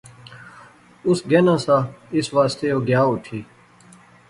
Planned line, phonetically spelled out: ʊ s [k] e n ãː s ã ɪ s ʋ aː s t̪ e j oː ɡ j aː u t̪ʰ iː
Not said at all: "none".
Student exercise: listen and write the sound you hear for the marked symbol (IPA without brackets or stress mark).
ɡ